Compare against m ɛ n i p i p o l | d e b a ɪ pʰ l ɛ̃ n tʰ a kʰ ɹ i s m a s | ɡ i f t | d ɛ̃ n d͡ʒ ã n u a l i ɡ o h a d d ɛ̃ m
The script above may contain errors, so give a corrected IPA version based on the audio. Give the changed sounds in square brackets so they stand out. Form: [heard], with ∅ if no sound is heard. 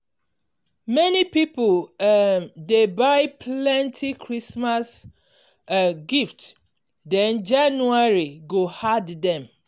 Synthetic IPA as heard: m ɛ n i p i p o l | d e b a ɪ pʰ l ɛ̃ n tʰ [i] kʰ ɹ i s m a s | ɡ i f t | d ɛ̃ n d͡ʒ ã n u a [ɹ] i ɡ o h a d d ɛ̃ m